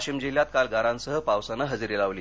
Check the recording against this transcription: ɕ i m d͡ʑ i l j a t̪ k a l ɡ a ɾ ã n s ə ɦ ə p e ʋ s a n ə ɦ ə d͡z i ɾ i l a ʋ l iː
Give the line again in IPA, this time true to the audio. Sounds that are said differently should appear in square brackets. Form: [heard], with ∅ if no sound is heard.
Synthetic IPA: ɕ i m d͡ʑ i l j a t̪ k a l ɡ a ɾ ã n s ə ɦ ə p [a] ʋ s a n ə ɦ ə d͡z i ɾ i l a ʋ l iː